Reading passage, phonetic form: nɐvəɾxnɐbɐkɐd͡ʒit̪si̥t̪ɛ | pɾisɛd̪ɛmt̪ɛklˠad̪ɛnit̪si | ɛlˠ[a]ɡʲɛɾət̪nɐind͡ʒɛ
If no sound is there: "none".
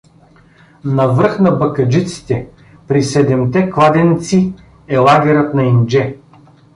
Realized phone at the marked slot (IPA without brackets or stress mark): a